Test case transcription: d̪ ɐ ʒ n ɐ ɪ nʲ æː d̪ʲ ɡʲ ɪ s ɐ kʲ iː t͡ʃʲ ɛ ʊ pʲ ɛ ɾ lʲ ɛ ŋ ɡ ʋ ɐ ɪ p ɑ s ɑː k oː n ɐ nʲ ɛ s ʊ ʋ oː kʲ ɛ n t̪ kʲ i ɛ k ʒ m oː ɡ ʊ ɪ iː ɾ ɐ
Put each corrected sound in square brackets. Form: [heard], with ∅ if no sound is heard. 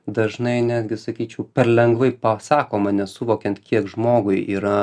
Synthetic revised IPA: d̪ ɐ ʒ n ɐ ɪ nʲ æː d̪ʲ ɡʲ ɪ s ɐ kʲ iː t͡ʃʲ ɛ ʊ pʲ ɛ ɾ lʲ ɛ ŋ ɡ ʋ ɐ ɪ p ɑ s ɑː k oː [m] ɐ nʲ ɛ s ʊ ʋ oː kʲ ɛ n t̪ kʲ i ɛ k ʒ m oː ɡ ʊ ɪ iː ɾ ɐ